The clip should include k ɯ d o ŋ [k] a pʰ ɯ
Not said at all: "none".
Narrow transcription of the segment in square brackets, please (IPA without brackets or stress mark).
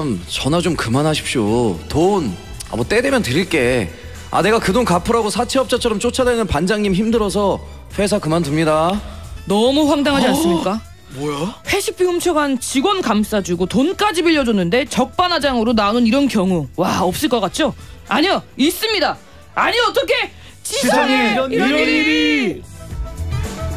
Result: k